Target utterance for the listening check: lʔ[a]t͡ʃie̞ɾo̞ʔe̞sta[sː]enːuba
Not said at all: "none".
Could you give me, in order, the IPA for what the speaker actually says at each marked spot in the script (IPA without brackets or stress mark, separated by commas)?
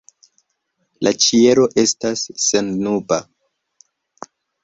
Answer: a, sː